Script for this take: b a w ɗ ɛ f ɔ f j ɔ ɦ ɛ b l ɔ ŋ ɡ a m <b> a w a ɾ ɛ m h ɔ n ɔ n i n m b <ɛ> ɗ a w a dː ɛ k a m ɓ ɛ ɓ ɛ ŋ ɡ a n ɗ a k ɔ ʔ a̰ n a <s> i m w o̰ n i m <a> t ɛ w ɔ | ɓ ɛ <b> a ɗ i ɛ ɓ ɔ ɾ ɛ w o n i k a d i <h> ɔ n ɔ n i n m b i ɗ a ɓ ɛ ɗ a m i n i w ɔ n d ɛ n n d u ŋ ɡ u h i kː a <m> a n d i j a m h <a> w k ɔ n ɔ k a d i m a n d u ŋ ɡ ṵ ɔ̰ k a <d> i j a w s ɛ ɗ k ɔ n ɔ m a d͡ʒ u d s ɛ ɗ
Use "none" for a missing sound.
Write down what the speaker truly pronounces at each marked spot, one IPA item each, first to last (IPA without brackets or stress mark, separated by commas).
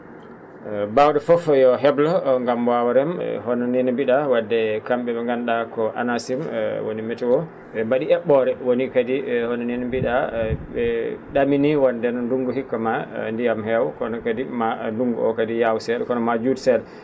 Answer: w, i, s, ɛ, b, h, m, ɛ, d